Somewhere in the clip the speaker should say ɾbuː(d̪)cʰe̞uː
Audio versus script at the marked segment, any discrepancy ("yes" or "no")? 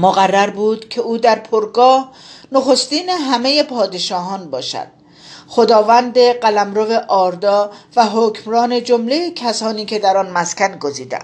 no